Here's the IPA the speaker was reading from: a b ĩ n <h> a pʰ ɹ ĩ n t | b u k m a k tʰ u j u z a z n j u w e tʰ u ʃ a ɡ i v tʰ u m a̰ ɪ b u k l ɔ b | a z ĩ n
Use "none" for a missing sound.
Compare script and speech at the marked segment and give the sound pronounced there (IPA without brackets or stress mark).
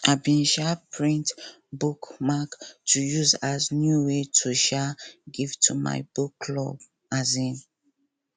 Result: ʃ